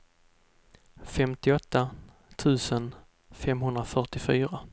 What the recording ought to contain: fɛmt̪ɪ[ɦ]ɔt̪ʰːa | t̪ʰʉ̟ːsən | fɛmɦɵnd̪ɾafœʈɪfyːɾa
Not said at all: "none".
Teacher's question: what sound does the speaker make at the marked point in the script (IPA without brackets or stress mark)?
none